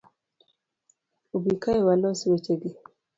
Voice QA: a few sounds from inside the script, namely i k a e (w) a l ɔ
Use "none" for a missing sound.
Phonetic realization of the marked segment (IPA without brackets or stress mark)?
w